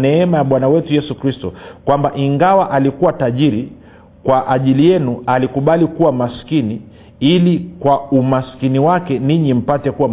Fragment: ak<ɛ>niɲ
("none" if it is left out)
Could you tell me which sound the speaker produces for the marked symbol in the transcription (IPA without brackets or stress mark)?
ɛ